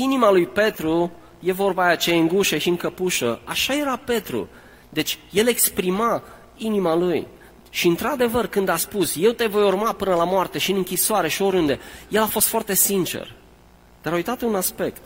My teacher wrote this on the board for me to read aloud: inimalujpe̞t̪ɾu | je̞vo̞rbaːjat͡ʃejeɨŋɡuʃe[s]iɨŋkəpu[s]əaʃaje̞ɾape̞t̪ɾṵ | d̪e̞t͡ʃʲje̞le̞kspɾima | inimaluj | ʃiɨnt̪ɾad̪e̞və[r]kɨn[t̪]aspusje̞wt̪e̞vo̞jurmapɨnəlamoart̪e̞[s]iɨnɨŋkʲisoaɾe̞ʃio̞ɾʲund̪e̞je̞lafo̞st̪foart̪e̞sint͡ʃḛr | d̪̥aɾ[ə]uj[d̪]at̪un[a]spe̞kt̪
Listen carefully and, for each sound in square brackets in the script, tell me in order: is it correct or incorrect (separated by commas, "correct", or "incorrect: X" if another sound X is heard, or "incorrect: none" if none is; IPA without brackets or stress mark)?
incorrect: ʃ, incorrect: ʃ, correct, incorrect: d̪, incorrect: ʃ, incorrect: a, incorrect: t̪, correct